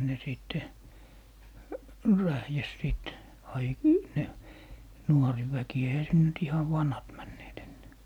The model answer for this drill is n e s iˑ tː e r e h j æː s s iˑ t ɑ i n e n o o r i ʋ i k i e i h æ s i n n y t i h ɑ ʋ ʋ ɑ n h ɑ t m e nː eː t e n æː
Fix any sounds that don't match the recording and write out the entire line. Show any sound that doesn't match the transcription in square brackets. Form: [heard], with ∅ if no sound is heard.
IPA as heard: n e s iˑ tː e r [æ] h j [æ] s s iˑ t ɑ i n e n [u] o r i ʋ [æ] k i e i h æ s i n n y t i h ɑ ʋ ʋ ɑ n h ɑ t m [æ] nː eː t e [nː] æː